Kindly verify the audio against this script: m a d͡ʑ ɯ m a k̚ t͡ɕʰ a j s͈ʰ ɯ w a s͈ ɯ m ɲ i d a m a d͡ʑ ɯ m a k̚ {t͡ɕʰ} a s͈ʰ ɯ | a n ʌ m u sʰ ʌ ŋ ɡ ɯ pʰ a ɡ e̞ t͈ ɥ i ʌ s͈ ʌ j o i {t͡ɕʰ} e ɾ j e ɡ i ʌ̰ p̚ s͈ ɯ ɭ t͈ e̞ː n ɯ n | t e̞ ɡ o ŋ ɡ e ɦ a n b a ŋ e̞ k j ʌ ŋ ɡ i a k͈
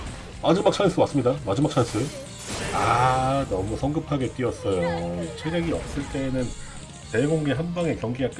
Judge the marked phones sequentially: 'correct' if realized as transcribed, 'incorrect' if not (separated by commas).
correct, correct